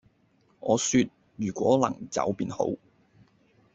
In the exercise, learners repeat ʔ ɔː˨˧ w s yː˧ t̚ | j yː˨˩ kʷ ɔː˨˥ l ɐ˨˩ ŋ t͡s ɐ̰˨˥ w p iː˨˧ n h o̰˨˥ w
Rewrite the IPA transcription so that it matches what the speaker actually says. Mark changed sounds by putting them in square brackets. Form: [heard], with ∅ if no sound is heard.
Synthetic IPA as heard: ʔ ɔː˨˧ [∅] s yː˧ t̚ | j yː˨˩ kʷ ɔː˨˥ l ɐ˨˩ ŋ t͡s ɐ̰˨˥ w p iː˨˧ n h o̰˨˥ w